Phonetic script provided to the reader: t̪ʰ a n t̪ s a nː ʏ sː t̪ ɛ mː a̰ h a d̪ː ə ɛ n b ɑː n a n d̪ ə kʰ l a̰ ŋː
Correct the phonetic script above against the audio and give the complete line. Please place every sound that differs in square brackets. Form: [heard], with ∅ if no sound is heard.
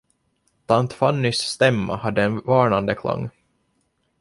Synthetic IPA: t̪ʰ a n t̪ [f] a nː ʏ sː t̪ ɛ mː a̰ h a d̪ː ə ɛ n [v] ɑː [ɳ] a n d̪ ə kʰ l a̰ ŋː